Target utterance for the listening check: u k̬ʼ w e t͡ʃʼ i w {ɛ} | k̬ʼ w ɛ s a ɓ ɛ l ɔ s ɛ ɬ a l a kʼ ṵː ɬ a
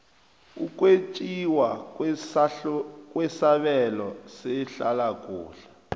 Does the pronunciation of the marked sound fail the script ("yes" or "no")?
yes